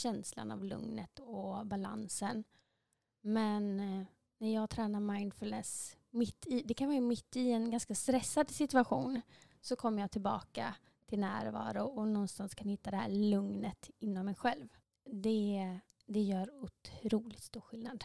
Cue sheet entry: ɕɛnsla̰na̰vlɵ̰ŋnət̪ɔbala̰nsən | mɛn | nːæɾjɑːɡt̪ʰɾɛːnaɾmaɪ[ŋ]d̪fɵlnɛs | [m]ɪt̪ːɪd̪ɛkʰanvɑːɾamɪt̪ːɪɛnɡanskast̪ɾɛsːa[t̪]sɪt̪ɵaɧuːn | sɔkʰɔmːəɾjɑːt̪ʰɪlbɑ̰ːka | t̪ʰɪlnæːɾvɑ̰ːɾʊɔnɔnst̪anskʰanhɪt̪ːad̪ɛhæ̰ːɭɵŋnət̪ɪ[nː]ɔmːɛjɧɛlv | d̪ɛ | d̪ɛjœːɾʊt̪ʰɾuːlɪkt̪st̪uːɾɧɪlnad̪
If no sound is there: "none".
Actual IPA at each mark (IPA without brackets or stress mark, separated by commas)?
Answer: n, m, d̪, nː